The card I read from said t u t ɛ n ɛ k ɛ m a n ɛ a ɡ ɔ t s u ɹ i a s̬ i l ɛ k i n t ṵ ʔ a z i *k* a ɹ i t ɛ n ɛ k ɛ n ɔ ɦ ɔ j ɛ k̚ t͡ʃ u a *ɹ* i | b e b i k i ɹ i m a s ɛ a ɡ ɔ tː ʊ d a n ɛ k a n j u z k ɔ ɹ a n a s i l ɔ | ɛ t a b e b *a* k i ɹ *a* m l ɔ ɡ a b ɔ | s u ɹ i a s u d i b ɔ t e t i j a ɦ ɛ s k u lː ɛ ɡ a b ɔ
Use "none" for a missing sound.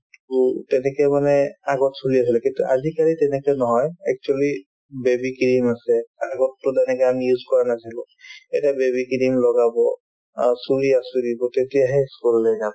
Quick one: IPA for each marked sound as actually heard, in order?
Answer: k, l, i, i

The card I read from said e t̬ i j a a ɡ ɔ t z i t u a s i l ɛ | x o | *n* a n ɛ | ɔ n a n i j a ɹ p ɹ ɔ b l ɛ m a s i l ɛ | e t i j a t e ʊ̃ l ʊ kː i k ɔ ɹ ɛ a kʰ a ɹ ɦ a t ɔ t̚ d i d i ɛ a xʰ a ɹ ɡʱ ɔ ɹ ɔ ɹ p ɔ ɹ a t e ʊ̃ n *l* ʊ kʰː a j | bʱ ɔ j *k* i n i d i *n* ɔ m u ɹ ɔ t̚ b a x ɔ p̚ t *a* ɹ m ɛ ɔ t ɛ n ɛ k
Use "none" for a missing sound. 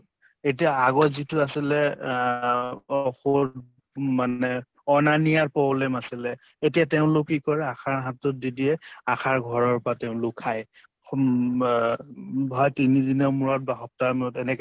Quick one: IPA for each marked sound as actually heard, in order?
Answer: m, l, t, n, a

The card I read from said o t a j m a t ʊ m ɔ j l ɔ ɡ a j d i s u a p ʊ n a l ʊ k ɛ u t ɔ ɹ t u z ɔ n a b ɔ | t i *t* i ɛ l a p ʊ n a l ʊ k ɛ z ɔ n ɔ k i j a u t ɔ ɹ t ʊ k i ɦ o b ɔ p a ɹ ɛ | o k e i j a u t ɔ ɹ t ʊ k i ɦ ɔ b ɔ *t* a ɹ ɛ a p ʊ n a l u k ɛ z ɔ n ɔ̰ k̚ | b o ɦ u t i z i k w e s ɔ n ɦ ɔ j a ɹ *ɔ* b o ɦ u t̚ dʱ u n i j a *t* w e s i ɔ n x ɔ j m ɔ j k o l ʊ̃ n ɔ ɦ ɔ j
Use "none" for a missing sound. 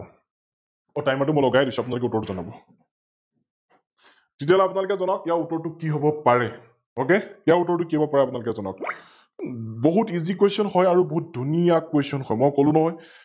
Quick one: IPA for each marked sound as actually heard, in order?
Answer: t, p, u, k

